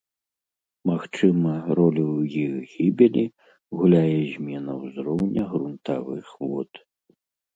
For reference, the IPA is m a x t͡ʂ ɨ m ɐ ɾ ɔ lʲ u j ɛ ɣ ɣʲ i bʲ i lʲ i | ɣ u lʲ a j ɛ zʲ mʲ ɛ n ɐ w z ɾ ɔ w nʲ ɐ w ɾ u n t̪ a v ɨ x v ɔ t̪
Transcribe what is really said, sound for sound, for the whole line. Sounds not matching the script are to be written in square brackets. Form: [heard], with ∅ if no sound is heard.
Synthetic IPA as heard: m a x t͡ʂ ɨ m ɐ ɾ ɔ lʲ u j [i] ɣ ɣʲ i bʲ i lʲ i | ɣ u lʲ a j ɛ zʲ mʲ ɛ n ɐ w z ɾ ɔ w nʲ ɐ [ɣ] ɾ u n t̪ a v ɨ x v ɔ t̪